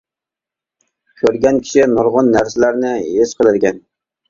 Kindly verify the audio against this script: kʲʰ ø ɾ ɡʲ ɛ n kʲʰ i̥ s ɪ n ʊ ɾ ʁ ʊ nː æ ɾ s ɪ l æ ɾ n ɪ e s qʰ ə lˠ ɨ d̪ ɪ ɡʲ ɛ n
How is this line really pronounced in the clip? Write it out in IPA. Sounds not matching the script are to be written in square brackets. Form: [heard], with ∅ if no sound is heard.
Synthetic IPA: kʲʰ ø ɾ ɡʲ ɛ n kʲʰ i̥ [ʃ] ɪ n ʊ ɾ ʁ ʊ nː æ ɾ s ɪ l æ ɾ n ɪ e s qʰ ə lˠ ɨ d̪ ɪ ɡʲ ɛ n

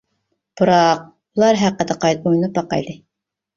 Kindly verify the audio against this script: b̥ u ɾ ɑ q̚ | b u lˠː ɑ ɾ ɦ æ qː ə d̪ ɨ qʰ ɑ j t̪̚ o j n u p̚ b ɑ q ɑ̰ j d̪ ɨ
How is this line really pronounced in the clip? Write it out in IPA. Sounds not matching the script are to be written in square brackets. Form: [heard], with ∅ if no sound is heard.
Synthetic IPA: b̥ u ɾ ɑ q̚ | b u [lˠ] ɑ ɾ ɦ æ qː ə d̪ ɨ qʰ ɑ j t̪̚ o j n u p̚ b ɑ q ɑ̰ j d̪ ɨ

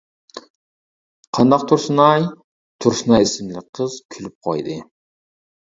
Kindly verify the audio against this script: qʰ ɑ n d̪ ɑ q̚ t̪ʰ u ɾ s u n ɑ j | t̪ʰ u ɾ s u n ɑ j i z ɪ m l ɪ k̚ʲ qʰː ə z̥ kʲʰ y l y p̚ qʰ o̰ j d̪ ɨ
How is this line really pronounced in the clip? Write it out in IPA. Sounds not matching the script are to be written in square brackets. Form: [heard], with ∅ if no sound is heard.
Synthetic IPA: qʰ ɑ n d̪ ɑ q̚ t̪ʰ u ɾ s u n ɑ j | t̪ʰ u ɾ s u n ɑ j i [s] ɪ m l ɪ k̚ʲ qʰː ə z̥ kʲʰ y l y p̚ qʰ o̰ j d̪ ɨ

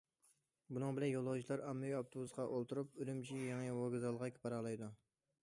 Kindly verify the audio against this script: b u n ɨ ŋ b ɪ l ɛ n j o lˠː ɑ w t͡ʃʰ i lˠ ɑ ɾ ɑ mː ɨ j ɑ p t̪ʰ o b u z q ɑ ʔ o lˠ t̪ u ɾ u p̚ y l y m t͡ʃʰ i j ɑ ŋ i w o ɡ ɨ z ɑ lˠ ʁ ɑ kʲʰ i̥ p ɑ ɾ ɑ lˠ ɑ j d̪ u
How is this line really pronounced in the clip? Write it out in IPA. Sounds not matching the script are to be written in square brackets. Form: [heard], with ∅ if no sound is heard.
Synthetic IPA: b u n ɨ ŋ b ɪ l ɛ n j o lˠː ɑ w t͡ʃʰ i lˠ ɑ ɾ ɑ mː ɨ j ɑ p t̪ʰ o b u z q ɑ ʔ o lˠ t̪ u ɾ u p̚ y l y m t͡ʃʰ i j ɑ ŋ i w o ɡ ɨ z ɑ lˠ ʁ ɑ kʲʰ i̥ p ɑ ɾ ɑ lˠ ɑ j d̪ u

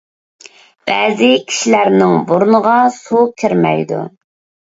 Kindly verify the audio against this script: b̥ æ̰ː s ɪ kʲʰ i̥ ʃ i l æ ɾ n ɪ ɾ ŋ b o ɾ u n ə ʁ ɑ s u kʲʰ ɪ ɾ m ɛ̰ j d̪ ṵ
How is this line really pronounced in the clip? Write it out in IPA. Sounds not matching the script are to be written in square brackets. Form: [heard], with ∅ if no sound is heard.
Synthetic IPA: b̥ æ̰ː [z] ɪ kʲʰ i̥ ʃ i l æ ɾ n ɪ [∅] ŋ b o ɾ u n ə ʁ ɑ s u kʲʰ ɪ ɾ m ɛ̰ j d̪ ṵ

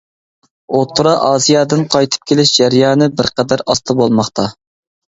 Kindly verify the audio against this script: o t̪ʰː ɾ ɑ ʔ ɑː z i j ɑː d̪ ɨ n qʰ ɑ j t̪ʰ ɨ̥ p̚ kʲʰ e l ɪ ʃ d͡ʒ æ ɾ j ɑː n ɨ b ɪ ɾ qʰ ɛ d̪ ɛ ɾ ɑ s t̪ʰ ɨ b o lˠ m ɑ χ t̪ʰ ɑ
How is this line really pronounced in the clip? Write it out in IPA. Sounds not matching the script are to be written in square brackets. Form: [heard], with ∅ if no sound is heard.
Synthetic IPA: o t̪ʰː ɾ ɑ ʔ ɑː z i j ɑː d̪ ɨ n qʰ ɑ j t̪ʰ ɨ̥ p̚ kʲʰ e l ɪ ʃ d͡ʒ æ ɾ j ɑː n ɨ b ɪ ɾ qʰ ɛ d̪ [æ] ɾ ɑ s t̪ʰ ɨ b o lˠ m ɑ χ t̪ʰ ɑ

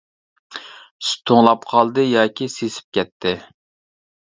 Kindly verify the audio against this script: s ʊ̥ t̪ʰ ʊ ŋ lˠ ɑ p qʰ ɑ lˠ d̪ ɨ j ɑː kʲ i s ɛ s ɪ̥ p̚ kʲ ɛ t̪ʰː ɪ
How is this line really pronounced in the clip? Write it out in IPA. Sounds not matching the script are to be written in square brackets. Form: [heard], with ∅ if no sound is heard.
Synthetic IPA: s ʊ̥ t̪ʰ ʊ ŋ lˠ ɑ p qʰ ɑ lˠ d̪ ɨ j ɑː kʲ i s [e] s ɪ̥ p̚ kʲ ɛ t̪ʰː ɪ

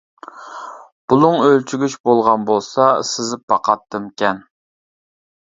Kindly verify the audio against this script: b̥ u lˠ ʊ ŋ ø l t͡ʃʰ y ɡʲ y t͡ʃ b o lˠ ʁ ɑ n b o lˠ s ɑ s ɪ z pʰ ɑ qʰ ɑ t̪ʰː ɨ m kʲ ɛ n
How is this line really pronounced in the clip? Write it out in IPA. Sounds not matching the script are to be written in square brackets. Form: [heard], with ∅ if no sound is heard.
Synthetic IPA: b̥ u lˠ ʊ ŋ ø l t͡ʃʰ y ɡʲ y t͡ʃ b o lˠ ʁ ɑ n b o lˠ s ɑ s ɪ z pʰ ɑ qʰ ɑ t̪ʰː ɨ m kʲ ɛ n

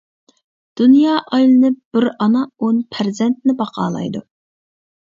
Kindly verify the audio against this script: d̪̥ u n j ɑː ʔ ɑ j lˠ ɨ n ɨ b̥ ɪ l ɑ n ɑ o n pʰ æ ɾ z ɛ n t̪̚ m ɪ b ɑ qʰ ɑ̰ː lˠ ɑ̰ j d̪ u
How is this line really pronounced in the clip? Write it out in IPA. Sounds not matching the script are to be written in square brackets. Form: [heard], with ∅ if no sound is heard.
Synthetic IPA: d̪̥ u n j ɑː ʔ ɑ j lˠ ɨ n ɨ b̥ ɪ [ɾ] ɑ n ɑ o n pʰ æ ɾ z ɛ n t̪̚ [n] ɪ b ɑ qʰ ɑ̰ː lˠ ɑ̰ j d̪ u

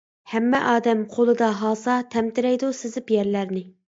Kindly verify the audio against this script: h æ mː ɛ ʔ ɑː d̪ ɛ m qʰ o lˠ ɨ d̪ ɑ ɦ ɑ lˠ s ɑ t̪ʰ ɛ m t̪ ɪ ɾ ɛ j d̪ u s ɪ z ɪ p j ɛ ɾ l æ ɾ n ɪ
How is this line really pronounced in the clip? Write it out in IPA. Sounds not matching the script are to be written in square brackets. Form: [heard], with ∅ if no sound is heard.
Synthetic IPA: h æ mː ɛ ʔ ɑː d̪ ɛ m qʰ o lˠ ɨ d̪ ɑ ɦ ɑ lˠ s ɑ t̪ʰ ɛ m t̪ ɪ ɾ ɛ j d̪ u s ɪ z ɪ p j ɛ ɾ l æ ɾ n ɪ

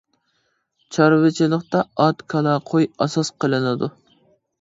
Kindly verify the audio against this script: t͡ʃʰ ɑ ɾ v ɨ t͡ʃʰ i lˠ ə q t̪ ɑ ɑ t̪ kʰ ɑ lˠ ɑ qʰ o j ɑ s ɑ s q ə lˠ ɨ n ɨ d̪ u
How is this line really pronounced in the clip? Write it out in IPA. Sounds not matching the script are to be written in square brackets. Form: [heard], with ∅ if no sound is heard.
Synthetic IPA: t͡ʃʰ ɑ ɾ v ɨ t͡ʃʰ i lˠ ə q t̪ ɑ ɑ t̪ kʰ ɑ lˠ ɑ qʰ o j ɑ s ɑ s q ə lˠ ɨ n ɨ d̪ u

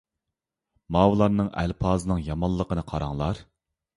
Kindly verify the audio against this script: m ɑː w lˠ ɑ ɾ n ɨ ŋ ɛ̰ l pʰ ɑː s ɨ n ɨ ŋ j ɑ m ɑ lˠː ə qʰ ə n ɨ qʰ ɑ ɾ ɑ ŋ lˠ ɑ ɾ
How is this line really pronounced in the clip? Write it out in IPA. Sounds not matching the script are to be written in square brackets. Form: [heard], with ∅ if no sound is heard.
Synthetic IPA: m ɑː w lˠ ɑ ɾ n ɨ ŋ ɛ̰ l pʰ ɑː [z] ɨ n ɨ ŋ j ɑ m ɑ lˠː ə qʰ ə n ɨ qʰ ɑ ɾ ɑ ŋ lˠ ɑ ɾ

